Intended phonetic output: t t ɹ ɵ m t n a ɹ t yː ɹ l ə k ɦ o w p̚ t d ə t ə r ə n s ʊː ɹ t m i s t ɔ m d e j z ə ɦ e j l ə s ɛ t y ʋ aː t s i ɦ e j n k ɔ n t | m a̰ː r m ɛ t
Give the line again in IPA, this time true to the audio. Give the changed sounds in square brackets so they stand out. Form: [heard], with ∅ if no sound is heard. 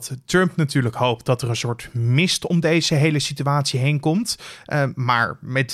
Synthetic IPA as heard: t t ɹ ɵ m [p] n a [∅] t yː ɹ l ə k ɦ o w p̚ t d [ɑ] t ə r ə n s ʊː ɹ t m [ɪ] s t ɔ m d e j z ə ɦ e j l ə s [i] t y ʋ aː t s i ɦ e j n k ɔ [m] t | m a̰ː [ɹ] m ɛ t